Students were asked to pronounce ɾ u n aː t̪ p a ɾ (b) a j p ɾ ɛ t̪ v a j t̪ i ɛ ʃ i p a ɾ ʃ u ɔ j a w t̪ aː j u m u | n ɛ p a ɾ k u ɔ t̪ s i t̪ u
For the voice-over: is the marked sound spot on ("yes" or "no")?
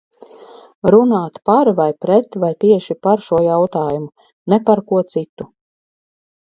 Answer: no